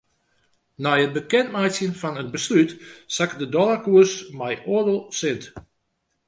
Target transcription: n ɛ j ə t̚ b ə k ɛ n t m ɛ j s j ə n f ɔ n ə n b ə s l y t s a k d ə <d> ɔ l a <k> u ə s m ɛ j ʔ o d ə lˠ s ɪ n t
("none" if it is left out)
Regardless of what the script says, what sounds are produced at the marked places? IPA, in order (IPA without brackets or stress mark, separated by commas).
d, k